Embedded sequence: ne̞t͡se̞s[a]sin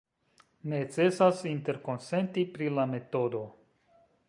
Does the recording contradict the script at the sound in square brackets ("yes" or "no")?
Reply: no